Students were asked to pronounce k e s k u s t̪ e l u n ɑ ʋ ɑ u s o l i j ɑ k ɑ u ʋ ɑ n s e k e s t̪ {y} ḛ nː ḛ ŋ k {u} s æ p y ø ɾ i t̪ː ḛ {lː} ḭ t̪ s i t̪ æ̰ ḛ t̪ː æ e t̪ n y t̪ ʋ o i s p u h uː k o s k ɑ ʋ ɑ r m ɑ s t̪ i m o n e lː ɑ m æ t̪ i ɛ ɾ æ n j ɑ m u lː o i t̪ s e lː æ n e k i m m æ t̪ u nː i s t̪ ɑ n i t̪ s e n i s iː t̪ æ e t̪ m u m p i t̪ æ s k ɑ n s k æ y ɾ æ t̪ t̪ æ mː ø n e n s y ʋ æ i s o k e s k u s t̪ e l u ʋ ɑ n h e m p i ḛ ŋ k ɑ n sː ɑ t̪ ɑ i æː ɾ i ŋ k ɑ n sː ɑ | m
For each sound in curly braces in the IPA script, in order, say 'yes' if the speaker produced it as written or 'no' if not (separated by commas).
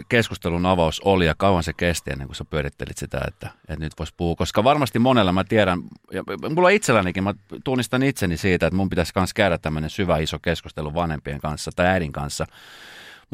no, yes, no